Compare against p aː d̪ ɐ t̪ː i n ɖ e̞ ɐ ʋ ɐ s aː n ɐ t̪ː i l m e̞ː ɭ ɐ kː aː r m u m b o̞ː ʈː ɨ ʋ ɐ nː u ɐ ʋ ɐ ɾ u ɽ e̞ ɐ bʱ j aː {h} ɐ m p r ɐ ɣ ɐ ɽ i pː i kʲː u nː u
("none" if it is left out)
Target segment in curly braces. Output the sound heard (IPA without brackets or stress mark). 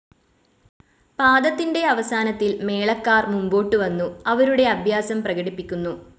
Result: s